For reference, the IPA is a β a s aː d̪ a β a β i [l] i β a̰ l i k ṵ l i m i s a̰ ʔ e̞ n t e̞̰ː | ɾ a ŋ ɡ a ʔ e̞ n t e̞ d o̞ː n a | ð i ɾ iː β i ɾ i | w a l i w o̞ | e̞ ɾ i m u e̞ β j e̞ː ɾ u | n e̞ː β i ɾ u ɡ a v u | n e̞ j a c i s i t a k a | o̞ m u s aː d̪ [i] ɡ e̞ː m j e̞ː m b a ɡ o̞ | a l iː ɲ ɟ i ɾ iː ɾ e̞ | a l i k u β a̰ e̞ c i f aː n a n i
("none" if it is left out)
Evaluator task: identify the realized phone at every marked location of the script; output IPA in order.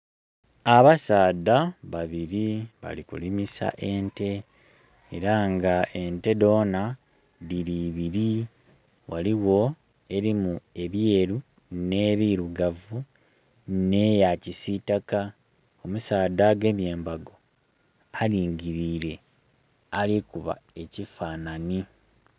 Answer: ɾ, a

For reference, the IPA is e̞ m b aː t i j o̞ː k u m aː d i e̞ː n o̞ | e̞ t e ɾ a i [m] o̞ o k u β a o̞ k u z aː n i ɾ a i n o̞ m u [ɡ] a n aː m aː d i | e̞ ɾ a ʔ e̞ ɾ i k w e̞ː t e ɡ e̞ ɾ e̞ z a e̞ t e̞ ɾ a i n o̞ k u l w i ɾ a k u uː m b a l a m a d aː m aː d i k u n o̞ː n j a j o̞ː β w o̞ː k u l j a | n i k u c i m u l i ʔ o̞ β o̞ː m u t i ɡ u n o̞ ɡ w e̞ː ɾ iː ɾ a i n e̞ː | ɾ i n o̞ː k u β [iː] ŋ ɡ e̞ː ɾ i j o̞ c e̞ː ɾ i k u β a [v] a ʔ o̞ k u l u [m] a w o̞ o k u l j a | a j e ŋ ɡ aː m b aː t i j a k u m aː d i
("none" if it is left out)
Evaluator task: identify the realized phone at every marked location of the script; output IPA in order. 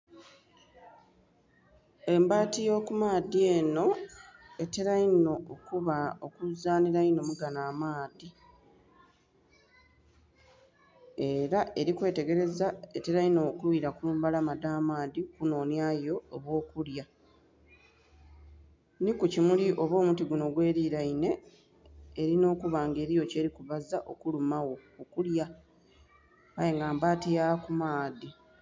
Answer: n, ɡ, aː, z, m

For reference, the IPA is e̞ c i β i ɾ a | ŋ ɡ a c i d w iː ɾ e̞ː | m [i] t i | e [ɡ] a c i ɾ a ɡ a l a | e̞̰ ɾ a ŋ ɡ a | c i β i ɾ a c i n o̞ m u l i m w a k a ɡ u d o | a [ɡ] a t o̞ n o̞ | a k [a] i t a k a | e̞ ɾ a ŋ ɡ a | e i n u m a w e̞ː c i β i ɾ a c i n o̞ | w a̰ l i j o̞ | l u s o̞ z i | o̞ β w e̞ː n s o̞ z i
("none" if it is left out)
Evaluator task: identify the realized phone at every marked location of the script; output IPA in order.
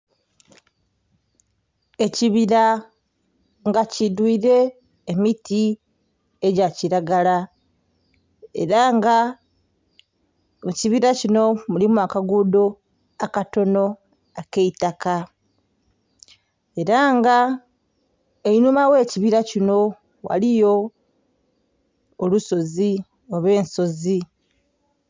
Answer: i, ɟ, k, e

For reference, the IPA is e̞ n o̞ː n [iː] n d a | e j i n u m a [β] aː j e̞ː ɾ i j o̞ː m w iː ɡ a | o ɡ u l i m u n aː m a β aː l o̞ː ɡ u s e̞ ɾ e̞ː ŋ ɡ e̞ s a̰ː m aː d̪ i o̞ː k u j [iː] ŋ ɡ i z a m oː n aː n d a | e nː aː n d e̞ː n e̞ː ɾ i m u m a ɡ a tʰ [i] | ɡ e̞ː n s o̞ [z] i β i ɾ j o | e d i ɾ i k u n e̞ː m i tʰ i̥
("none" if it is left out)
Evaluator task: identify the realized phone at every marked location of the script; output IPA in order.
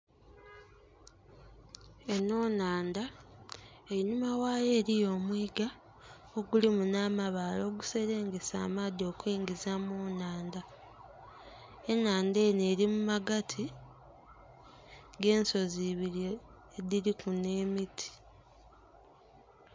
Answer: aː, w, iː, i, z

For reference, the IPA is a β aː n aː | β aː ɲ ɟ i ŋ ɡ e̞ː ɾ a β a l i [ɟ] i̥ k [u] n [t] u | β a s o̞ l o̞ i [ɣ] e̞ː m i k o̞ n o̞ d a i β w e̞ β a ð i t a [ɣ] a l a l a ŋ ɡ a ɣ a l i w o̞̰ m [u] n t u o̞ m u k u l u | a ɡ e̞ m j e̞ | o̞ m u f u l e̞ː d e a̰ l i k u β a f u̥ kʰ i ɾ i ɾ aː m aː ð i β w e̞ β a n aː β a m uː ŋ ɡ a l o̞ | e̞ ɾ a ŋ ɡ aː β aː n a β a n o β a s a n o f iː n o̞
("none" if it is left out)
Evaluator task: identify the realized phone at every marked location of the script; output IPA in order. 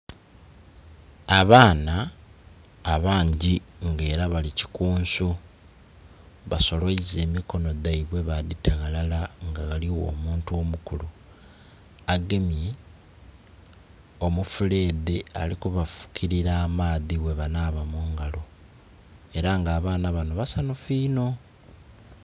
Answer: c, uː, s, z, ɣ, uː

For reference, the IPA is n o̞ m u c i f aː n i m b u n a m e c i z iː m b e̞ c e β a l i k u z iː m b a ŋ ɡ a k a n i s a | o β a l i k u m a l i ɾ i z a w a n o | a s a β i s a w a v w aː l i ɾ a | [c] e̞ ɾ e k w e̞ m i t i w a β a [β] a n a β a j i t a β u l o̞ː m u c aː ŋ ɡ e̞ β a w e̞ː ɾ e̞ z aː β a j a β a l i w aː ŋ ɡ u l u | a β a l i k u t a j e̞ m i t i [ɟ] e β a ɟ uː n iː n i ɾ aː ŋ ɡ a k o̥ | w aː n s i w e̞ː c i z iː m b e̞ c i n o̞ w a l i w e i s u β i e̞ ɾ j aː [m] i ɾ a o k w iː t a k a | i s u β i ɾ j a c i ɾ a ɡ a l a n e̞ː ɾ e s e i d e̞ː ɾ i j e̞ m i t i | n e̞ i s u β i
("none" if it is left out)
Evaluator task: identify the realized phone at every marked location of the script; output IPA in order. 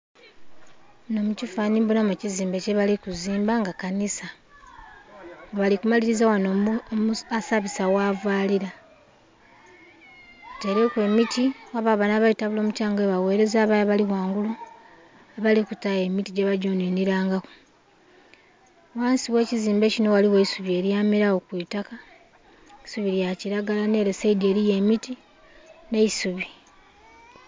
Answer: t, β, ɟ, m

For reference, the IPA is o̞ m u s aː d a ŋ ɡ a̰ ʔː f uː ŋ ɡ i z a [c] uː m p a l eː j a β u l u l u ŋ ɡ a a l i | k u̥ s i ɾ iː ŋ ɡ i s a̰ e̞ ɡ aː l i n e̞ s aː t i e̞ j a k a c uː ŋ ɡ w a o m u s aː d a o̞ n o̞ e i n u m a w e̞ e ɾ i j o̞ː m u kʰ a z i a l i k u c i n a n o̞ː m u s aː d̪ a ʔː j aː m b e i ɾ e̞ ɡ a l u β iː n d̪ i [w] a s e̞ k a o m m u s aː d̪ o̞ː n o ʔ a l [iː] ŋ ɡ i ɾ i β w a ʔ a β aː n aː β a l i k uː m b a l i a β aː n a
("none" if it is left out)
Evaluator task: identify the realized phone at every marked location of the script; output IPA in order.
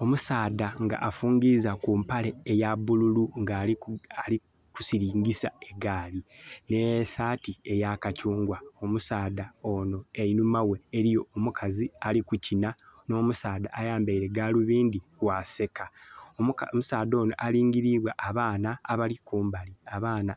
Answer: k, w, iː

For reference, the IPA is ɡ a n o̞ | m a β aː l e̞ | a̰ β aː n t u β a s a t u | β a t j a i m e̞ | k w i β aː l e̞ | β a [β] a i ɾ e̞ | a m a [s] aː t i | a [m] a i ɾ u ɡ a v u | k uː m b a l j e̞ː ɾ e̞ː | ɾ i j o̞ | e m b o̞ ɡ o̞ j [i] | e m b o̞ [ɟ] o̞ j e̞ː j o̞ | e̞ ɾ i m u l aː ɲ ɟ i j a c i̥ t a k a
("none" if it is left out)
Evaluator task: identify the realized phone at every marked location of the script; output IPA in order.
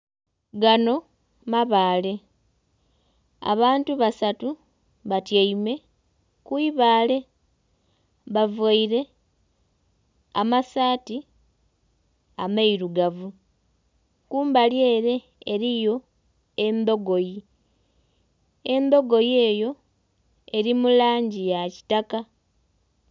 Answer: v, s, m, i, ɡ

